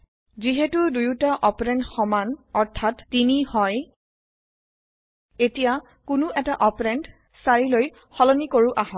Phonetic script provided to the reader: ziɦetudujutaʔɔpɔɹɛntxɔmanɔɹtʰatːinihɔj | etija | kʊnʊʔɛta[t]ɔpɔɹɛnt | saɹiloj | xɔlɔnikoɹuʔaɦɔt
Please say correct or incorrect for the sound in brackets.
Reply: incorrect